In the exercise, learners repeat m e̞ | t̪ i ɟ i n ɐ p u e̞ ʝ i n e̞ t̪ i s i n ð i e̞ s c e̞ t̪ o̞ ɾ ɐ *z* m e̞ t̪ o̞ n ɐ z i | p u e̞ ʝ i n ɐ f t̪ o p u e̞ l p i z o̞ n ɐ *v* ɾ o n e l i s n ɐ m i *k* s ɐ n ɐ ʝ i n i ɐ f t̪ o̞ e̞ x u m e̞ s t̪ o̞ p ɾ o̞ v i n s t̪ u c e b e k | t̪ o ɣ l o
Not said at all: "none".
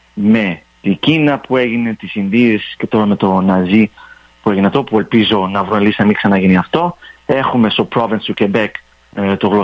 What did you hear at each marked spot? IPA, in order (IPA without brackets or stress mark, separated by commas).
none, v, k